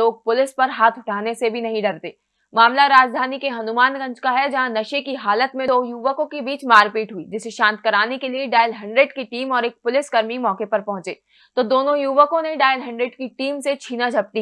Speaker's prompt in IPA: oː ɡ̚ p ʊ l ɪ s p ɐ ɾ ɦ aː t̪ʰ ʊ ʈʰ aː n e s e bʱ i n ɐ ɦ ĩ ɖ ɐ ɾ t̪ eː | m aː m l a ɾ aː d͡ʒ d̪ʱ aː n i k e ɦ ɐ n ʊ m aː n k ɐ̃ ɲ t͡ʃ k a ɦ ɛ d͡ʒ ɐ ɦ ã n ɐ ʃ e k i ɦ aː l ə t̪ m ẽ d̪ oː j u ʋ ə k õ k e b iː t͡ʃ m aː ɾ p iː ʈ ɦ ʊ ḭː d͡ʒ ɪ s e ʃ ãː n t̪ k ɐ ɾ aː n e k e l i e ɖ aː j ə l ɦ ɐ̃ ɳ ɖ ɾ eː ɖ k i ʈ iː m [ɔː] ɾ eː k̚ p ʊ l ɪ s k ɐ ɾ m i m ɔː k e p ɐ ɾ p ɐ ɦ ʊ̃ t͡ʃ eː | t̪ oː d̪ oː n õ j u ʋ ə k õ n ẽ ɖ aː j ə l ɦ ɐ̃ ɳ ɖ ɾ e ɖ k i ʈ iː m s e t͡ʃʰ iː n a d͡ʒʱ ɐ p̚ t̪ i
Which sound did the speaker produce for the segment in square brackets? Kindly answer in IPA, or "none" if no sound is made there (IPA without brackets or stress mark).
ɔː